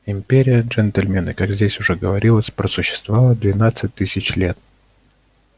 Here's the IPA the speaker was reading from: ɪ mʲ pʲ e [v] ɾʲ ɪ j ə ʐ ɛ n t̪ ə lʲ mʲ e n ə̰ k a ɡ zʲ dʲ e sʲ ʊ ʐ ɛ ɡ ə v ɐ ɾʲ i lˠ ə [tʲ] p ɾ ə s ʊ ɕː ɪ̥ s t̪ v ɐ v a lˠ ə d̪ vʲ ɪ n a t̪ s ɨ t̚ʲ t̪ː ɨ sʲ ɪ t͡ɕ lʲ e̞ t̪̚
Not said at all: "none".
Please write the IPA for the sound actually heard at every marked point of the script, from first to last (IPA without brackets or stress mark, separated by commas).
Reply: none, sʲ